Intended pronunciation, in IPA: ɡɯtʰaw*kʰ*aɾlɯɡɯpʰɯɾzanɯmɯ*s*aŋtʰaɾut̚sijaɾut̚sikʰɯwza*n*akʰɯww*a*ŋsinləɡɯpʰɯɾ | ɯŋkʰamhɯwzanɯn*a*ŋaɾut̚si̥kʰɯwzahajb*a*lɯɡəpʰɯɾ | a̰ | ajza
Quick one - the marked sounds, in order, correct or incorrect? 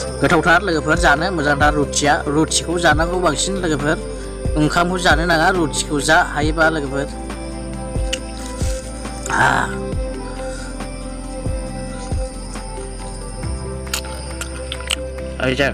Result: incorrect: tʰ, incorrect: z, correct, correct, correct, correct

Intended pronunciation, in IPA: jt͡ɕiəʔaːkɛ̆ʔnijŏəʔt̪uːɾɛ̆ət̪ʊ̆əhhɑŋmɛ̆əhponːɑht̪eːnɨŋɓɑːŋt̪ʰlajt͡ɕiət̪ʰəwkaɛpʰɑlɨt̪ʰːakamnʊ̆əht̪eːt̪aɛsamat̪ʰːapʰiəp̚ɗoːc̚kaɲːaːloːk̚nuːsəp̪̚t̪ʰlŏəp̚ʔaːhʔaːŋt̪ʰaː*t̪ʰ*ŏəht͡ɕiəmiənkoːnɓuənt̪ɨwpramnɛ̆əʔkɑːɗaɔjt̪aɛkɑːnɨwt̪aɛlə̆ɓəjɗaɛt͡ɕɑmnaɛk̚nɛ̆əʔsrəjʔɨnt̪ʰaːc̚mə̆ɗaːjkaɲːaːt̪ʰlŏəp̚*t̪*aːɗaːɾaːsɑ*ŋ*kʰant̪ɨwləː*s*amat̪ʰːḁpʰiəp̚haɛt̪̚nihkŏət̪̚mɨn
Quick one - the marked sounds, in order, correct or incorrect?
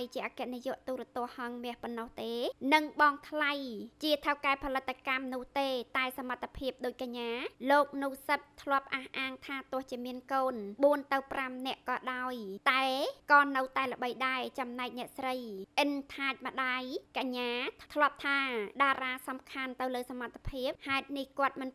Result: incorrect: t̪, incorrect: t̪ʰ, incorrect: m, correct

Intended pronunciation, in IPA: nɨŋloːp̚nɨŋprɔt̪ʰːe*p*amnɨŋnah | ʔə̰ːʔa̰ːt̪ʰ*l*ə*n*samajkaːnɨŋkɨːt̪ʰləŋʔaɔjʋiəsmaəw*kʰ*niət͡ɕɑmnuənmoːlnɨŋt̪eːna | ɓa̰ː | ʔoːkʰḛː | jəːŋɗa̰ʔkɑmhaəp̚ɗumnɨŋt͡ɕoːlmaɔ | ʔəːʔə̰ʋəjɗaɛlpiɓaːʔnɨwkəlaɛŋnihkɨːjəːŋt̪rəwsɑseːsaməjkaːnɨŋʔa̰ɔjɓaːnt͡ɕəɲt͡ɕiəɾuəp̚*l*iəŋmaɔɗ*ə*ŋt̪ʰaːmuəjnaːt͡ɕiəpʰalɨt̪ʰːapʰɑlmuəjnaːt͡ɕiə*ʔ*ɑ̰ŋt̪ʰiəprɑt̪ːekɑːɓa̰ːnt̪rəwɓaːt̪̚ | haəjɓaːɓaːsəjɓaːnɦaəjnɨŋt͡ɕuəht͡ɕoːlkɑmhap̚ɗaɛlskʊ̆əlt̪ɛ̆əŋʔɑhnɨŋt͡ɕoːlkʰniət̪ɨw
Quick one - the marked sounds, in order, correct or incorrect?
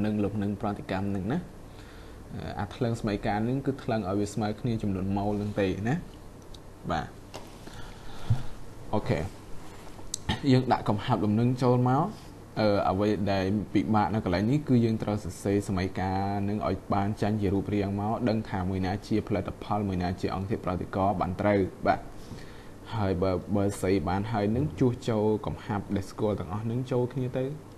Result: incorrect: k, correct, incorrect: ŋ, correct, incorrect: r, correct, correct

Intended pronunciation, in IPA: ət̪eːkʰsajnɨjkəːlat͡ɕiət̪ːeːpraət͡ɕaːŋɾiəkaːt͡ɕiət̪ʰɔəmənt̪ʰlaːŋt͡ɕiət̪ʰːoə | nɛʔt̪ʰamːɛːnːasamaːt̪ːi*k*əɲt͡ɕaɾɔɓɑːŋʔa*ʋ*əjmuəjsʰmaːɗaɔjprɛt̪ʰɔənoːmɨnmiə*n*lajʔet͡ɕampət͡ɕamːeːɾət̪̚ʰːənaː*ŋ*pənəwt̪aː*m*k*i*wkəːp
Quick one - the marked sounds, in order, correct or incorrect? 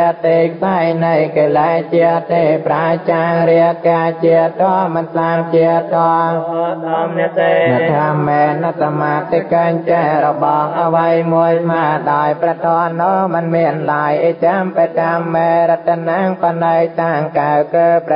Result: correct, correct, correct, correct, incorrect: ŋ, incorrect: a

